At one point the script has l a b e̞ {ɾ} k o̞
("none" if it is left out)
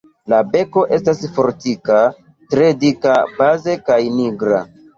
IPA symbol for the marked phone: none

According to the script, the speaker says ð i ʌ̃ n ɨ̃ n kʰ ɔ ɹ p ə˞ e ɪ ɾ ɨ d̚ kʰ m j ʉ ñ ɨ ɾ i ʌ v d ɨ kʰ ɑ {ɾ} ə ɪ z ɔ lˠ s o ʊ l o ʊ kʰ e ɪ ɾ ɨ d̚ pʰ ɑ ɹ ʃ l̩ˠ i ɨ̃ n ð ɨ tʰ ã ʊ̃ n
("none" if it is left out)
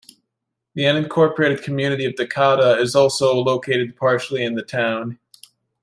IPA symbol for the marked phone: ɾ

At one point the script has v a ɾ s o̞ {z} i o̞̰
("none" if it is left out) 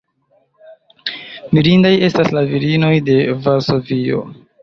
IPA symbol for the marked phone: v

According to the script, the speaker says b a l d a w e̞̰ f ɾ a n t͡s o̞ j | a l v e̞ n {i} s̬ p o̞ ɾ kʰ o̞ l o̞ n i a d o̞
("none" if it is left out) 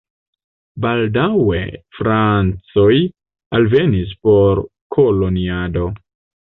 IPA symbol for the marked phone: i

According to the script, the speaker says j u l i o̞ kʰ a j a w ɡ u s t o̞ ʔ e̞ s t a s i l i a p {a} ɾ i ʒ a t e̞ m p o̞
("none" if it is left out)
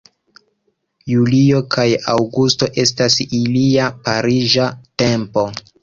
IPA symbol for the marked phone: a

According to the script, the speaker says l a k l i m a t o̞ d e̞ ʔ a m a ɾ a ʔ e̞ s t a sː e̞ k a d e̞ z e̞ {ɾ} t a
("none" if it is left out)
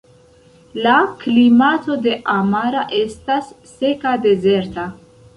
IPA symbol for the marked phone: ɾ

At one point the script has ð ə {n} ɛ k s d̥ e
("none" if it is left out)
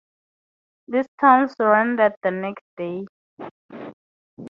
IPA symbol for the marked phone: n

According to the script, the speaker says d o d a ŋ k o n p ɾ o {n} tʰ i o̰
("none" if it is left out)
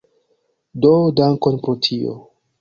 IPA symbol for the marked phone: none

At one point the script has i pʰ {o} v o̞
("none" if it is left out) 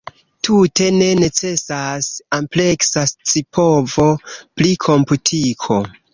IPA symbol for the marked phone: o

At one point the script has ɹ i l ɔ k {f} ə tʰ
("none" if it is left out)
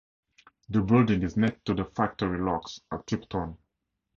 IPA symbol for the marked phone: s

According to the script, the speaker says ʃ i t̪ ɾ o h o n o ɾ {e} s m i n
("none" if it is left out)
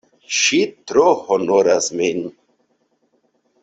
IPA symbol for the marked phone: a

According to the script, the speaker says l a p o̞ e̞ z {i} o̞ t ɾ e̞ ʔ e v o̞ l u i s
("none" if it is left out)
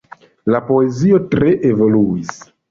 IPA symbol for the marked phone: i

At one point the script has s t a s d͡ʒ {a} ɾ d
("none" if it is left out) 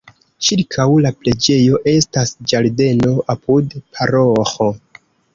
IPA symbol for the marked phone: a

